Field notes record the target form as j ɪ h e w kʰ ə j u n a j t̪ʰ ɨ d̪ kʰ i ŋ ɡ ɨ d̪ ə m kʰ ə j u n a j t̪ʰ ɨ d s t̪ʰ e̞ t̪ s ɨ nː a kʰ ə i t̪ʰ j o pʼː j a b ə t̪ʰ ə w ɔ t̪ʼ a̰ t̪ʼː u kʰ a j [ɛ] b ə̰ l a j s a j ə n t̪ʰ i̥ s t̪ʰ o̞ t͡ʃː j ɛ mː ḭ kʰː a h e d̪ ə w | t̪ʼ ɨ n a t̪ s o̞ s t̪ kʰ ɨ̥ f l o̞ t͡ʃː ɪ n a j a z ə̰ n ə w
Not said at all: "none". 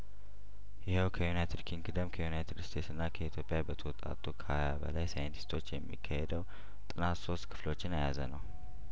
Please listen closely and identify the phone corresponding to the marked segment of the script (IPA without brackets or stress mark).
a